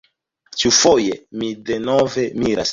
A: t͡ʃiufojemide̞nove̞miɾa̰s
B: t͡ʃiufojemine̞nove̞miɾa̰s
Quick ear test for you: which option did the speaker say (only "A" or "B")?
A